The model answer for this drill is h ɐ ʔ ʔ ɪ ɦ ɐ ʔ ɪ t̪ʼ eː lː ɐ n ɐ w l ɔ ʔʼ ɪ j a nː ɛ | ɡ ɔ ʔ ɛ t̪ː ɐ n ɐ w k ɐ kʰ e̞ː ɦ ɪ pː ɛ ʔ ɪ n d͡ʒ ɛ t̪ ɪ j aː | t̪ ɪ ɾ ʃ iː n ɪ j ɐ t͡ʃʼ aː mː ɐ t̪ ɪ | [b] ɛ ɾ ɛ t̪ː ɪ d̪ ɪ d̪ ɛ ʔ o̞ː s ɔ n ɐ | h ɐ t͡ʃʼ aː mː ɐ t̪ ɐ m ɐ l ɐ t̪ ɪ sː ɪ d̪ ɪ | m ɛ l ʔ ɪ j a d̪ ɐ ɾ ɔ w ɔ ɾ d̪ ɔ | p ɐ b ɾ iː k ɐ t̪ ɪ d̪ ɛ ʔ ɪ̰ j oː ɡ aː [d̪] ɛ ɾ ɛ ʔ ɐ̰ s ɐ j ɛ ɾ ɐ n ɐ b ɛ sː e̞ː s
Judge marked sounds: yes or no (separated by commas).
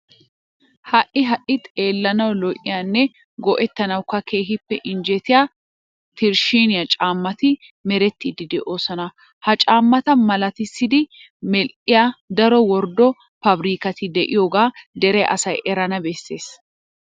no, yes